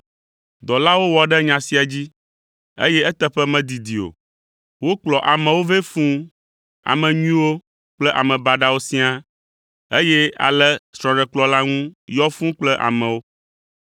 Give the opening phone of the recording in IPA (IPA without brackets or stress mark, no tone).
d̪